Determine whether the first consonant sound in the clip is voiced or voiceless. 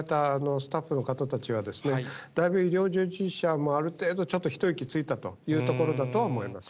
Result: voiceless